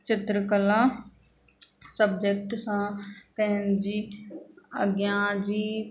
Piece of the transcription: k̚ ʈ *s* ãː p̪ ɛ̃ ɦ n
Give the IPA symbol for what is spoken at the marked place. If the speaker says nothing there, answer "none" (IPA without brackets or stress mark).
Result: s